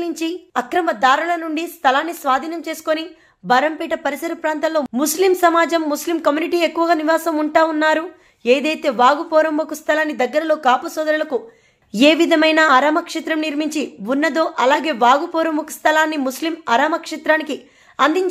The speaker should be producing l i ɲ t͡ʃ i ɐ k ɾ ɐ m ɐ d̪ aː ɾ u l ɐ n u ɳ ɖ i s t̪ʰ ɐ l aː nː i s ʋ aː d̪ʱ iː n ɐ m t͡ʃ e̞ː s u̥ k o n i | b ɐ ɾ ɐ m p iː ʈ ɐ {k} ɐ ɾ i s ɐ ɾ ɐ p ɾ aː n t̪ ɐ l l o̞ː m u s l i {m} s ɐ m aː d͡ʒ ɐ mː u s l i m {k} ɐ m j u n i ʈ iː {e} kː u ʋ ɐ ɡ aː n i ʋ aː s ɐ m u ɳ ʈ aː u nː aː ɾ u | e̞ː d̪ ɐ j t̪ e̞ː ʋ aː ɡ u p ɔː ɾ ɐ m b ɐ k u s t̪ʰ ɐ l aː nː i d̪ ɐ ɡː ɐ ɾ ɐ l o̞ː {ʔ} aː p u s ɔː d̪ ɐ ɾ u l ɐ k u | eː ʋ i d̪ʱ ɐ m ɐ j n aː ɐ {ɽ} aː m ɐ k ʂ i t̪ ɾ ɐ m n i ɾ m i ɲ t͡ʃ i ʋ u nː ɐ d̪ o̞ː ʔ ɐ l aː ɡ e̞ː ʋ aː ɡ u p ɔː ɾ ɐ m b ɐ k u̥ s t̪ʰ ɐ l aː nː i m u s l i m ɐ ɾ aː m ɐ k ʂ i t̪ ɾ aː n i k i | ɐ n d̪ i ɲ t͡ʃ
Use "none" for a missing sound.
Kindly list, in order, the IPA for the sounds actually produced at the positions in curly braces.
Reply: p, m, k, e, k, ɾ

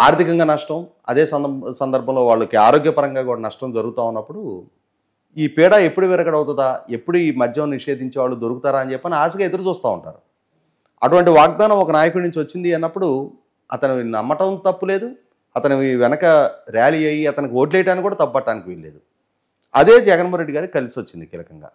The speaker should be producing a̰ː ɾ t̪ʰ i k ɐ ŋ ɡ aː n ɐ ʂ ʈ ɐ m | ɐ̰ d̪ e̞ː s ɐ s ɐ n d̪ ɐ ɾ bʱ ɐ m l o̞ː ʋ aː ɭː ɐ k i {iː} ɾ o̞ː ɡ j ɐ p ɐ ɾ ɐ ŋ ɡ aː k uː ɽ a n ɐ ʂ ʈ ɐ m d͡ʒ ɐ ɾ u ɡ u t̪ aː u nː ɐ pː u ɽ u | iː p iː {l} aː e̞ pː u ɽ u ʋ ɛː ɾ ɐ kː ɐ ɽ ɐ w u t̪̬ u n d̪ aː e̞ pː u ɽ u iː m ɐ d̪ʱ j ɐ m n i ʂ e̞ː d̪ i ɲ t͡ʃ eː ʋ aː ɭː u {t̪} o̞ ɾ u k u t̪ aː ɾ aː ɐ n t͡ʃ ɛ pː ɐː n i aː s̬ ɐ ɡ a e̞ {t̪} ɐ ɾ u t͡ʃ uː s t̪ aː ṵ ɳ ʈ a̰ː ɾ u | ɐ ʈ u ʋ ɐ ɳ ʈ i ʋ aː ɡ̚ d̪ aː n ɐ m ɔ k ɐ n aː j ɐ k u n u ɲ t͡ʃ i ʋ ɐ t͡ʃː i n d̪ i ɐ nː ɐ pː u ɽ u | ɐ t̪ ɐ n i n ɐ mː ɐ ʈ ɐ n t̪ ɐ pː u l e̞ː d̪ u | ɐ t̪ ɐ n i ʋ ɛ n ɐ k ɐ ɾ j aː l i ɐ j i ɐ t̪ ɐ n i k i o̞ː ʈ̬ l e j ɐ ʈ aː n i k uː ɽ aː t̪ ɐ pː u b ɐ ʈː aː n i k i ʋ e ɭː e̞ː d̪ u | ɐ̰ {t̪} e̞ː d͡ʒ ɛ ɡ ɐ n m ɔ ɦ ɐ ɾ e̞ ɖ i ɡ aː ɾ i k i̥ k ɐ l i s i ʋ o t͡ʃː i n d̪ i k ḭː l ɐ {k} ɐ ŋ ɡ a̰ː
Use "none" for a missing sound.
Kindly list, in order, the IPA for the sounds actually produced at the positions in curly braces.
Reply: aː, ɽ, d̪, d̪, d̪, k

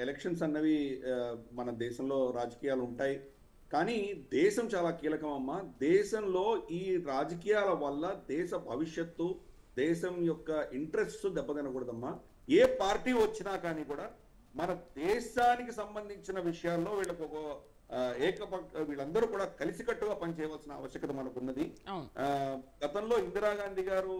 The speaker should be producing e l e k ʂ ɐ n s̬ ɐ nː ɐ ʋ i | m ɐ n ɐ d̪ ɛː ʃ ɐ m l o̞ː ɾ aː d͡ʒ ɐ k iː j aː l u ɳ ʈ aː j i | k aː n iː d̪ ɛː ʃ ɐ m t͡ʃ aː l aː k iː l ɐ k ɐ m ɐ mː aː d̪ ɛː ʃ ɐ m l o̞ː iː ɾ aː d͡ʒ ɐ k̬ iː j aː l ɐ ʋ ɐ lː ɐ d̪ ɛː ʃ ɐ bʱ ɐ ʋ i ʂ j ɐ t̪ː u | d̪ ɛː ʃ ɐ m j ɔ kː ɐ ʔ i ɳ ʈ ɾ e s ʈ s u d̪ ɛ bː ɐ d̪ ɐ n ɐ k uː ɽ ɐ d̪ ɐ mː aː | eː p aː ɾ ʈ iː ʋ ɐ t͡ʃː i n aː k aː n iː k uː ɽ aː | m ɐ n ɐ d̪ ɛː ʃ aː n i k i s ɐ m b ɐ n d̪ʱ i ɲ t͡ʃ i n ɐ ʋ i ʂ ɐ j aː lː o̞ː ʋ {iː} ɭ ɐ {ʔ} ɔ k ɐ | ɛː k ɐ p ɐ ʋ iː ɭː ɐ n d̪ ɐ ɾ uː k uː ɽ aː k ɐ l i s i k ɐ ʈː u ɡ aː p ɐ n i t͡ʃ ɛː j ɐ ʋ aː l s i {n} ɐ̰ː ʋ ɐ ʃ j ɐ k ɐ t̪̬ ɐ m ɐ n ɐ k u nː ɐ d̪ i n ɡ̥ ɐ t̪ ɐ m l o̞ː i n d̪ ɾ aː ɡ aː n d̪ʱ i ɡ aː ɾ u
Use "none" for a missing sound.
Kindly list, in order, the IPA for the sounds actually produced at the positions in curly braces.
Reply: iː, k, n

